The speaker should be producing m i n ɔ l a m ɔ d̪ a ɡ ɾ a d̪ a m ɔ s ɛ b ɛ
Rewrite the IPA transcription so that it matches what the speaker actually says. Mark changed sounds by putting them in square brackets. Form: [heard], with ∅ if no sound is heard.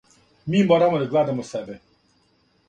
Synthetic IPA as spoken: m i [m] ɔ [ɾ] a m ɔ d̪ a ɡ [l] a d̪ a m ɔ s ɛ b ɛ